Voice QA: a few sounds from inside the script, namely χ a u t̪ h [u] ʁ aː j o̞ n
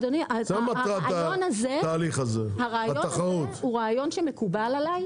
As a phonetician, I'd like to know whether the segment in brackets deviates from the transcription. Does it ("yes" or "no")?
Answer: no